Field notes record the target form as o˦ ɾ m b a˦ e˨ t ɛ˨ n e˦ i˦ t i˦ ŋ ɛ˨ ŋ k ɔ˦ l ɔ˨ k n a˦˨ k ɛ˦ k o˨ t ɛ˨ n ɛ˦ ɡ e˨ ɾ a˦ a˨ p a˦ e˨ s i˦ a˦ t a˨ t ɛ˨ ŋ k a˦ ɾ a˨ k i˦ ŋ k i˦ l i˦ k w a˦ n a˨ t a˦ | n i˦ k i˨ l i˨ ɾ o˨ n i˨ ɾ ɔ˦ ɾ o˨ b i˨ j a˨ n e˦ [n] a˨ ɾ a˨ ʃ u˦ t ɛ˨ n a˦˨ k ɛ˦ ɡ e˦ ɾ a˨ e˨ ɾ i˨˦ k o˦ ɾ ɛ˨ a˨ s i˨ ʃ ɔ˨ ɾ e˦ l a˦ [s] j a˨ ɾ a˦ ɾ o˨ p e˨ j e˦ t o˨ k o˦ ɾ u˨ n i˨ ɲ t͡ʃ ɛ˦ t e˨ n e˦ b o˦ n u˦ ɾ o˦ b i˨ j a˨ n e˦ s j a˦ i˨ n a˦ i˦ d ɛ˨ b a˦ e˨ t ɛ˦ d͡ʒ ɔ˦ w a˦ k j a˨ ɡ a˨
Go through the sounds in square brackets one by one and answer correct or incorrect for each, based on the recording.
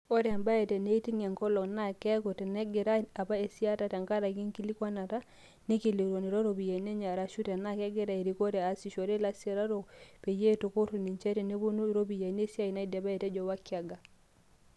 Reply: incorrect: ɲ, correct

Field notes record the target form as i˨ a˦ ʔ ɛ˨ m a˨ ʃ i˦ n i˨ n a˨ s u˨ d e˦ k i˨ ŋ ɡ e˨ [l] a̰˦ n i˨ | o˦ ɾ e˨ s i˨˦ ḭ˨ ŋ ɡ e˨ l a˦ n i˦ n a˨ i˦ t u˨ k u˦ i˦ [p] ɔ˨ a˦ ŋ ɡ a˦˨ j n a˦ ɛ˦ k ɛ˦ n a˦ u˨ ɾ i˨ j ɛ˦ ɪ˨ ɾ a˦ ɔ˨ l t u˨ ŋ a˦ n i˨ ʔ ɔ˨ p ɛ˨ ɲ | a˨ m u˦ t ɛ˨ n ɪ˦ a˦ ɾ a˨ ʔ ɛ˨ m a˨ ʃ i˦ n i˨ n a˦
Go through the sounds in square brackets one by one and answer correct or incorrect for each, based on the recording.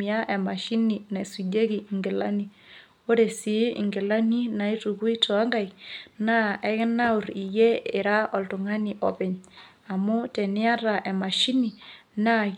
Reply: correct, incorrect: t

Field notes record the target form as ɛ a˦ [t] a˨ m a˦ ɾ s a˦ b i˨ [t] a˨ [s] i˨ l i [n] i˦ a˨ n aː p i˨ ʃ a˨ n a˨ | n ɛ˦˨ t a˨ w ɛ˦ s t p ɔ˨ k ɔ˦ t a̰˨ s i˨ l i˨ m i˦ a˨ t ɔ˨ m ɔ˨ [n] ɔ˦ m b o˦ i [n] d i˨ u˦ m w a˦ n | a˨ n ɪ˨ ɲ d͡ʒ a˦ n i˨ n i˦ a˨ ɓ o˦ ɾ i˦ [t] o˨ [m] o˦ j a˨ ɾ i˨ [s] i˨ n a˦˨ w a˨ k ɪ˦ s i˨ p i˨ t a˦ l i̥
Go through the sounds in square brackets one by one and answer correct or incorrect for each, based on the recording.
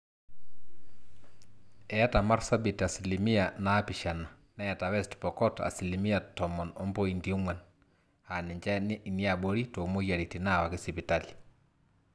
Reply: correct, correct, correct, incorrect: m, correct, correct, correct, correct, incorrect: t

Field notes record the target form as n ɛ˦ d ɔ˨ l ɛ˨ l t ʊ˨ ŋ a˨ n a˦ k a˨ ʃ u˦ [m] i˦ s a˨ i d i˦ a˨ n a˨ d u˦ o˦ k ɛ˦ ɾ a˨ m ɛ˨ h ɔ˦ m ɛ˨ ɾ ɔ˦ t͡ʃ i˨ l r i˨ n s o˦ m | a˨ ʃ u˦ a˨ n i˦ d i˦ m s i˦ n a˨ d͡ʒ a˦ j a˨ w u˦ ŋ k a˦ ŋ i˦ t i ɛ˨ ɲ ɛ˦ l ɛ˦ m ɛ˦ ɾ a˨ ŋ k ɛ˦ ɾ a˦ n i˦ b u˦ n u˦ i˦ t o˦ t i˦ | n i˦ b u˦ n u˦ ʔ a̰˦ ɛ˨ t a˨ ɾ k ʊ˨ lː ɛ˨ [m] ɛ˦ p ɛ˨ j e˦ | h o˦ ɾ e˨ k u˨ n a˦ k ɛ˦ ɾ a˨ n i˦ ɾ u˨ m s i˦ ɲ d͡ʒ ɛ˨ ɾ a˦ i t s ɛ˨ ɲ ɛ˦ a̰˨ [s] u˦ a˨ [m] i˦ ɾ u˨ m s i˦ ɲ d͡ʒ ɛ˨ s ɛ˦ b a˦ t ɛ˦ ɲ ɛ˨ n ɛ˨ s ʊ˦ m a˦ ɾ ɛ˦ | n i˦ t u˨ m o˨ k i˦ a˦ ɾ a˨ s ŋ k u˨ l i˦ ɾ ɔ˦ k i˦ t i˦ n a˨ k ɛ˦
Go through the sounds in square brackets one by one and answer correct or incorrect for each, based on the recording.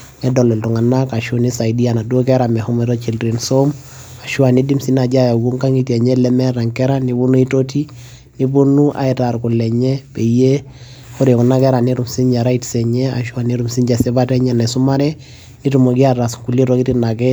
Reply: incorrect: n, incorrect: ɲ, incorrect: ʃ, incorrect: n

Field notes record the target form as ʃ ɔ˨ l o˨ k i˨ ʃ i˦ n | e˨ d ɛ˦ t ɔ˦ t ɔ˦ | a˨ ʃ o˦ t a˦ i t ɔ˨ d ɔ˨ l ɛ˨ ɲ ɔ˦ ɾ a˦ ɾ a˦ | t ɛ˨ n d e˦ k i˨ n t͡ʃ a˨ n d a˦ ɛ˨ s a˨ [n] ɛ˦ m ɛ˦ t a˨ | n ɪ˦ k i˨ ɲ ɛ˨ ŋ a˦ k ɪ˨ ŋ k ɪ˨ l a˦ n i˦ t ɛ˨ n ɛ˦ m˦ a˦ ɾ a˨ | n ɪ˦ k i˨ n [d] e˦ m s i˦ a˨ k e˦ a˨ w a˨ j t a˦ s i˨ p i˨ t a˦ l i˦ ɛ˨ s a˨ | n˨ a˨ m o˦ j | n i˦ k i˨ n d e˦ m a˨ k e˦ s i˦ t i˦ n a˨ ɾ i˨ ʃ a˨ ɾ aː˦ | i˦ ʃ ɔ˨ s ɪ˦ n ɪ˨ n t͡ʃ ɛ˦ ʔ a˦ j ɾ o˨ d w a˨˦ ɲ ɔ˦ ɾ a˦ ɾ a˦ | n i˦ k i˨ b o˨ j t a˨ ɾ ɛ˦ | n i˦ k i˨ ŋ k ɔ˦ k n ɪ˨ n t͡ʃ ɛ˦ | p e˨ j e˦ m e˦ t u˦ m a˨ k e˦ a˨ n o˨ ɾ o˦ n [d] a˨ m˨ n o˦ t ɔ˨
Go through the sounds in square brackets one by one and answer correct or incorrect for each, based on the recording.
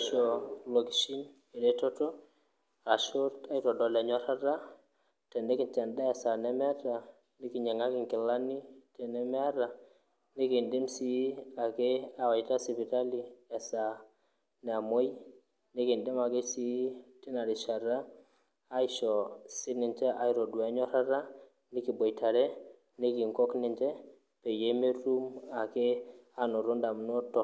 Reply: correct, correct, correct

